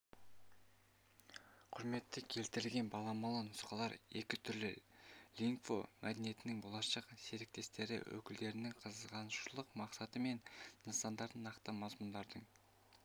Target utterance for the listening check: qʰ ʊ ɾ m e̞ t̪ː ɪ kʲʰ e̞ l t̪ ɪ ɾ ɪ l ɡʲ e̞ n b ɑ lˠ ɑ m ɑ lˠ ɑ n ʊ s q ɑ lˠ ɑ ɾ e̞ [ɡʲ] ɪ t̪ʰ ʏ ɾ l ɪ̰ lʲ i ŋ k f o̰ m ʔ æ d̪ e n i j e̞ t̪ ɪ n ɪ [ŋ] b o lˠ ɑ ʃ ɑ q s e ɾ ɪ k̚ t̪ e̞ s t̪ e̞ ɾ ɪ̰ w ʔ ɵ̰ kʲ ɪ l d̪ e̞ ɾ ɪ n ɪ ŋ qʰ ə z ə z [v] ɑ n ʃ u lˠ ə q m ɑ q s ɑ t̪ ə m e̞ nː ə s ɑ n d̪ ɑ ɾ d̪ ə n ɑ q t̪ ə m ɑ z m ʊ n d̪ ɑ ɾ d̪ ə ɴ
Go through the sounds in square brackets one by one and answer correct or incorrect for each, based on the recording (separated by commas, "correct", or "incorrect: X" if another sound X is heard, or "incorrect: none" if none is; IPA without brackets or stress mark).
incorrect: kʲ, correct, incorrect: ʁ